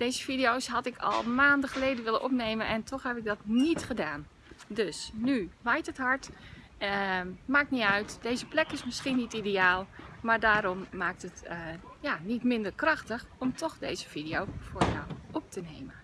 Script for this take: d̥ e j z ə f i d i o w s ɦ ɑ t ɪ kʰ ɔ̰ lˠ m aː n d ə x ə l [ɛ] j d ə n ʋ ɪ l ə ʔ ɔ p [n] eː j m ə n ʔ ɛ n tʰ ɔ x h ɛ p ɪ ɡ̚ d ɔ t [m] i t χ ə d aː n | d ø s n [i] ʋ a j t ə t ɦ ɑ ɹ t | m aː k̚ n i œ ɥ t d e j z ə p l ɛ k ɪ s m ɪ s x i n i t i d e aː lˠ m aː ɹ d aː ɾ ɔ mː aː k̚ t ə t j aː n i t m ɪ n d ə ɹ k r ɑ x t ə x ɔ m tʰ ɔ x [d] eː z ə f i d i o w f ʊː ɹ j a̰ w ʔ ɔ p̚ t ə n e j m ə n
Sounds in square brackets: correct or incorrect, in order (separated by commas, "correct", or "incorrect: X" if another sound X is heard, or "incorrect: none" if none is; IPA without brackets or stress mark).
incorrect: e, correct, incorrect: n, incorrect: y, correct